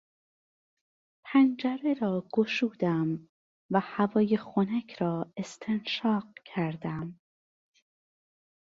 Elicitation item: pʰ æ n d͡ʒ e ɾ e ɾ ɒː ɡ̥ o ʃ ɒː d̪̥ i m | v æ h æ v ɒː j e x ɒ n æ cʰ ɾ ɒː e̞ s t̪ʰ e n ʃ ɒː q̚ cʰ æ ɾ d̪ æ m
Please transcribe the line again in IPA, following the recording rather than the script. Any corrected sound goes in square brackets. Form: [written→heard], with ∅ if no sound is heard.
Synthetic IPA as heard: pʰ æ n d͡ʒ [e→æ] ɾ e ɾ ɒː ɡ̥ o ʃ [ɒː→uː] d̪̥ [i→æ] m | v æ h æ v ɒː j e x [ɒ→o] n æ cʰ ɾ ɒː e̞ s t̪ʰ e n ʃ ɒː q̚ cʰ æ ɾ d̪ æ m